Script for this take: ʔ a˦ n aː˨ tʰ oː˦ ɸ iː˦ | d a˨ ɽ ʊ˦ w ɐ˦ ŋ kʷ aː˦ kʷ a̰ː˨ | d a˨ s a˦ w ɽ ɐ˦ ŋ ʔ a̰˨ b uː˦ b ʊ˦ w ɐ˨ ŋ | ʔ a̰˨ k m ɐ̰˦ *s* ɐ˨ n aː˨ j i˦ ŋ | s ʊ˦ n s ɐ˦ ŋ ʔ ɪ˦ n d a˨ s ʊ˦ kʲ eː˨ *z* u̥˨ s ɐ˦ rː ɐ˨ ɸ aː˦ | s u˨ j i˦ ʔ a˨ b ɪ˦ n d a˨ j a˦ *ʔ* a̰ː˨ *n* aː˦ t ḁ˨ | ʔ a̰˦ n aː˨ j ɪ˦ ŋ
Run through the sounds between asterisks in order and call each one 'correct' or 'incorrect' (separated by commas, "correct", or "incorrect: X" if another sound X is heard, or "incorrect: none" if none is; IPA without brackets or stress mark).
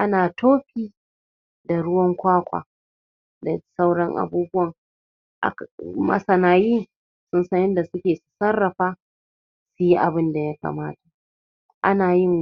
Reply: correct, incorrect: s, incorrect: k, incorrect: m